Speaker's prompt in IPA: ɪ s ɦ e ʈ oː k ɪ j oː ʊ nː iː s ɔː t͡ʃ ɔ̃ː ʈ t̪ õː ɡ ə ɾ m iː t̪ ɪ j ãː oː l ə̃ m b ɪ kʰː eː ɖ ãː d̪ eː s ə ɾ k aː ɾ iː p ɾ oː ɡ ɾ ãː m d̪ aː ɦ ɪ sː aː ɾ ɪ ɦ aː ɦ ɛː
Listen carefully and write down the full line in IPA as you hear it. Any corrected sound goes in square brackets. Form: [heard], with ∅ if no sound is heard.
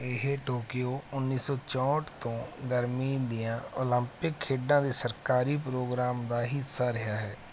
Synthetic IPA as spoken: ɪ [∅] ɦ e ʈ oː k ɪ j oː ʊ nː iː s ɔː t͡ʃ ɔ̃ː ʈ t̪ õː ɡ ə ɾ m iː [d̪] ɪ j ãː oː l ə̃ m [p] ɪ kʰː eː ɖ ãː d̪ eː s ə ɾ k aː ɾ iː p ɾ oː ɡ ɾ [aː] m d̪ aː ɦ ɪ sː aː ɾ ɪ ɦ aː ɦ ɛː

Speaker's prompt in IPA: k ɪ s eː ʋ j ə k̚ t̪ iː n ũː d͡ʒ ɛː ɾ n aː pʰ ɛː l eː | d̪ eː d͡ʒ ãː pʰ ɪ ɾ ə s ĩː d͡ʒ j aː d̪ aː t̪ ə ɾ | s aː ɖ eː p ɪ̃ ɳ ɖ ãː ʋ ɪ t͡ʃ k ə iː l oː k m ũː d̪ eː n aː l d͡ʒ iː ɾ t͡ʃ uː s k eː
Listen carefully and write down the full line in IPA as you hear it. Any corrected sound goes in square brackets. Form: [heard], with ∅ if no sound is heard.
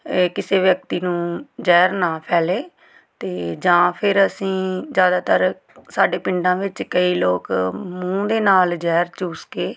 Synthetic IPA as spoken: k ɪ s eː ʋ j ə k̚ t̪ iː n ũː d͡ʒ ɛː ɾ n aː pʰ ɛː l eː | [t̪] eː d͡ʒ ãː pʰ ɪ ɾ ə s ĩː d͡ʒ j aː d̪ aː t̪ ə ɾ | s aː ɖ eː p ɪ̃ ɳ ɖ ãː ʋ ɪ t͡ʃ k ə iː l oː k m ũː d̪ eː n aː l d͡ʒ [ɛː] ɾ t͡ʃ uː s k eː

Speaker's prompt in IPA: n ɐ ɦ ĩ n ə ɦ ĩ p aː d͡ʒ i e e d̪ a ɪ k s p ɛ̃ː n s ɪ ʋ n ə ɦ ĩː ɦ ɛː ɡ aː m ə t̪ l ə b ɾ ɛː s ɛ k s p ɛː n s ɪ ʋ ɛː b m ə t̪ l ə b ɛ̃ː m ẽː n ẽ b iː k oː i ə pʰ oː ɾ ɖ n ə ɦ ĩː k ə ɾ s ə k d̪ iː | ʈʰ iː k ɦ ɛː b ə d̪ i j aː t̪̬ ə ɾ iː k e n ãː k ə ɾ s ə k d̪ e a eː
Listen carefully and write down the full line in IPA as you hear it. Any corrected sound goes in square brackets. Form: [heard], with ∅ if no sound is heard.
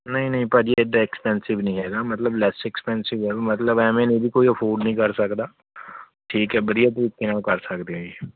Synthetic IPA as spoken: n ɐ ɦ ĩ n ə ɦ ĩ p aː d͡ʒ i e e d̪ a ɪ k s p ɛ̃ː n s ɪ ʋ n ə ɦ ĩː ɦ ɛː ɡ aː m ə t̪ l ə b [l] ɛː s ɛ k s p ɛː n s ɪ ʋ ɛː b m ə t̪ l ə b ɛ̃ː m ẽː n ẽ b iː k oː i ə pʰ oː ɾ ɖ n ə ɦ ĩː k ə ɾ s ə k d̪ [aː] | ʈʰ iː k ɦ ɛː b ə d̪ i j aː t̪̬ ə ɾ iː k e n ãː k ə ɾ s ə k d̪ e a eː

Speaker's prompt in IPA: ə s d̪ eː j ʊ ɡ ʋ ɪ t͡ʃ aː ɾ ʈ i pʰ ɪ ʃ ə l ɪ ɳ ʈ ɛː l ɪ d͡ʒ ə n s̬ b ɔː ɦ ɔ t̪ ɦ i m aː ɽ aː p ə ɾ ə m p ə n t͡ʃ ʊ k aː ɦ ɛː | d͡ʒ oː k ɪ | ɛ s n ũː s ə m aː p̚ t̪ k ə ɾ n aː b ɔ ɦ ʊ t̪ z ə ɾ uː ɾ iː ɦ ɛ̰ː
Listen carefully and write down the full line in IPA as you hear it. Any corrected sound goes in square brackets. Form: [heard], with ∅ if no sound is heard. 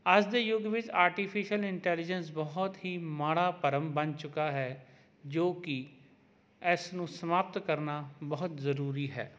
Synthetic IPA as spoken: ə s d̪ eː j ʊ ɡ ʋ ɪ t͡ʃ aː ɾ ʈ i pʰ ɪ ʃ ə l ɪ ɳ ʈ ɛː l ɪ d͡ʒ ə n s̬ b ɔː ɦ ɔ t̪ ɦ [iː] m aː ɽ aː p ə ɾ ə m [b] ə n t͡ʃ ʊ k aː ɦ ɛː | d͡ʒ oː k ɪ | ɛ s n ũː s ə m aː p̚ t̪ k ə ɾ n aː b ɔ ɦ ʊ t̪ z ə ɾ uː ɾ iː ɦ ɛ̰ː

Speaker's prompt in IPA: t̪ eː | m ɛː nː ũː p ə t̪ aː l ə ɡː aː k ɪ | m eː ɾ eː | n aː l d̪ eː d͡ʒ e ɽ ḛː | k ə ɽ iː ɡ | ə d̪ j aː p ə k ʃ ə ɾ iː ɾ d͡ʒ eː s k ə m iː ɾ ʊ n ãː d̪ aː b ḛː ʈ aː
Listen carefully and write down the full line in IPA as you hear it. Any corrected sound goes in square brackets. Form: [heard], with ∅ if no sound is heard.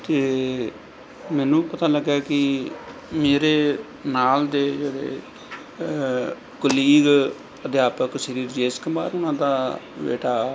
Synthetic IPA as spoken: t̪ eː | m ɛː [n] ũː p ə t̪ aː l ə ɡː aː k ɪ | m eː ɾ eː | n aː l d̪ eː d͡ʒ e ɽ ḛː | k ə [l] iː ɡ | ə d̪ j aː p ə k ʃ ə ɾ iː ɾ d͡ʒ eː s k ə m [aː] ɾ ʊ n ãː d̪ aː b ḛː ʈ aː

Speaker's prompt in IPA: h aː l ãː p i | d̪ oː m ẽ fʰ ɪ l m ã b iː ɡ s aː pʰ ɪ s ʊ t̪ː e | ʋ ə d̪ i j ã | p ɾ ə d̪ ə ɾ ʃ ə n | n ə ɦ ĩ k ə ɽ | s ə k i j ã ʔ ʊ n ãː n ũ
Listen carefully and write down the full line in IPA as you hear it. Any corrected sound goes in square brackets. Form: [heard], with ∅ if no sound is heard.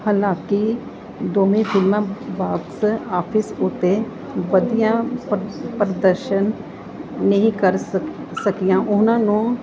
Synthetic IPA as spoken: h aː l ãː [k] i | d̪ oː m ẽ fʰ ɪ l m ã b [aː] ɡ s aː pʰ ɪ s ʊ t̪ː e | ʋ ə d̪ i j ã | p ɾ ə d̪ ə ɾ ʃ ə n | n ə ɦ ĩ k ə [ɾ] | s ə k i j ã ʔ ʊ n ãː n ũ

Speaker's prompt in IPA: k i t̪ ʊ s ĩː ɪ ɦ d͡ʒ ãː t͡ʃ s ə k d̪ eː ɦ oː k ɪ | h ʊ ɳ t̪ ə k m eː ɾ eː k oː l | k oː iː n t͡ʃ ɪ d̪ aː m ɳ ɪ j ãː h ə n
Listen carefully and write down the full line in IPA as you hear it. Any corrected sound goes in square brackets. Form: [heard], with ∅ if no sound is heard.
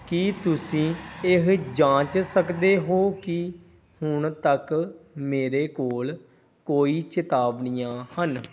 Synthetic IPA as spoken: k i t̪ ʊ s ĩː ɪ ɦ d͡ʒ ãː t͡ʃ s ə k d̪ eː ɦ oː k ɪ | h ʊ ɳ t̪ ə k m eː ɾ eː k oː l | k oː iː [∅] t͡ʃ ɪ [t̪] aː [b] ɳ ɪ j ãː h ə n

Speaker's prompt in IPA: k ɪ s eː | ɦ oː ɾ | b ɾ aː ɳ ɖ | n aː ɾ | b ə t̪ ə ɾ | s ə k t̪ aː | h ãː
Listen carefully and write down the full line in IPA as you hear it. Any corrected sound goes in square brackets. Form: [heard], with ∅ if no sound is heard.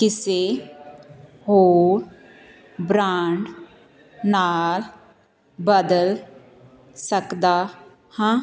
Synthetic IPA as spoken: k ɪ s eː | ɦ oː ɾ | b ɾ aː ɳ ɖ | n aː [l] | b ə [d̪] ə [l] | s ə k [d̪] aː | h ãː

